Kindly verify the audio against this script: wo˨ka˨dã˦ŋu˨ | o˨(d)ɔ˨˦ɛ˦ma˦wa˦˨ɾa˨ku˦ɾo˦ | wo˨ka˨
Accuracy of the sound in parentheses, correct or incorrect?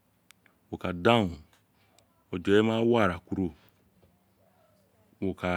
incorrect